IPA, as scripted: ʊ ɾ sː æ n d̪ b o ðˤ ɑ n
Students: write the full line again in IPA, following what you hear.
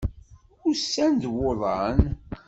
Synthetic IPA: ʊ ɾ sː æ n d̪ w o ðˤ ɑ n

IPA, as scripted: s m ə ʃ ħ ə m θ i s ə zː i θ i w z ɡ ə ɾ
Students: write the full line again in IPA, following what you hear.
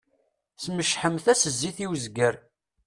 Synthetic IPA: s m ə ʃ ħ ə m θ æ s ə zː i θ i w z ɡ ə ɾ

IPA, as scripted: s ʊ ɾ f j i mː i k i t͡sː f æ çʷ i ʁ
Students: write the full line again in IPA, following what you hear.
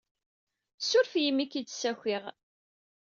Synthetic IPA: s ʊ ɾ f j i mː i k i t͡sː s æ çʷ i ʁ

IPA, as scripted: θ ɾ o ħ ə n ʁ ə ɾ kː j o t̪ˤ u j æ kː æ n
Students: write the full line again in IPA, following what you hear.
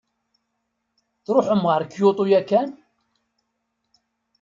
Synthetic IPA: θ ɾ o ħ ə m ʁ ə ɾ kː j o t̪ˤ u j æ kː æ n

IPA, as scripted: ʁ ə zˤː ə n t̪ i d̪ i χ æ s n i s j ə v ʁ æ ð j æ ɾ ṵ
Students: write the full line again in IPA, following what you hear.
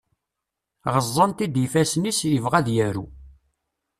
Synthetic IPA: ʁ ə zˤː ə n t̪ i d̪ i f æ s n i s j ə v ʁ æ ð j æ ɾ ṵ

